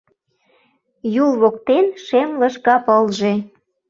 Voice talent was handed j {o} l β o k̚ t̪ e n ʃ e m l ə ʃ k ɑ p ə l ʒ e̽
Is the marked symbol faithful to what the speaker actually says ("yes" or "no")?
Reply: no